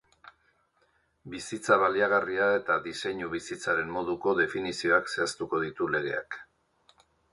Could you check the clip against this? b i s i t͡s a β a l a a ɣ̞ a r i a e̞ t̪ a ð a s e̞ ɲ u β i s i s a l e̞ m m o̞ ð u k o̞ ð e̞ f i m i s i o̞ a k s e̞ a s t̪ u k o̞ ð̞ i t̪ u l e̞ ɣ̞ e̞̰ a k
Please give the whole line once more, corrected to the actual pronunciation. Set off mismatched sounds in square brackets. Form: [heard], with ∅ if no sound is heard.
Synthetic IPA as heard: b i s i t͡s a β a l [i] a ɣ̞ a r i a e̞ t̪ a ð [i] s e̞ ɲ u β i s i [t͡s] a [ɾ] e̞ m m o̞ ð u k o̞ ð e̞ f i [n] i s i o̞ a k s e̞ a s t̪ u k o̞ ð̞ i t̪ u l e̞ ɣ̞ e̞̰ a k